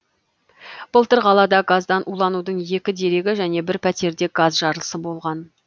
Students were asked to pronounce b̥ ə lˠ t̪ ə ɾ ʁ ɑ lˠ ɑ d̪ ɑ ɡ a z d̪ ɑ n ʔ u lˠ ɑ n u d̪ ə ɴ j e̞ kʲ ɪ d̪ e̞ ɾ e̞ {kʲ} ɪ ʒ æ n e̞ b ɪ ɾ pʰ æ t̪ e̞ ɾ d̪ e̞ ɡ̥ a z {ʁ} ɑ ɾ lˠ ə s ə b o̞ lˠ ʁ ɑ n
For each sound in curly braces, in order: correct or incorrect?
incorrect: ɡʲ, incorrect: ʒ

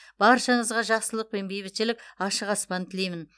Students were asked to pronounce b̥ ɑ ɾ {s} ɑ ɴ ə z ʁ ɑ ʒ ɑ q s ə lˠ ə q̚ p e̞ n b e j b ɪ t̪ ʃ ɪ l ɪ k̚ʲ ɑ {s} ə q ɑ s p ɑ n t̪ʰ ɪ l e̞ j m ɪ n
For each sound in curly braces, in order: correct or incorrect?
incorrect: ʃ, incorrect: ʃ

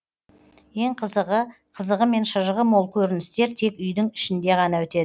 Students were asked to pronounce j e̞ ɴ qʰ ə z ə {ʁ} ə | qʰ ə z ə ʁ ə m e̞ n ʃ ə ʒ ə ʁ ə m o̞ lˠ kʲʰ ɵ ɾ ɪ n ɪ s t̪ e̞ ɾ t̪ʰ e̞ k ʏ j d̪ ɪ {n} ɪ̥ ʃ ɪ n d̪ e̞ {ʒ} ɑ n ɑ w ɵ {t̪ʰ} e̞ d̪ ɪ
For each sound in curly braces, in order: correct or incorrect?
correct, incorrect: ŋ, incorrect: ʁ, incorrect: t̪

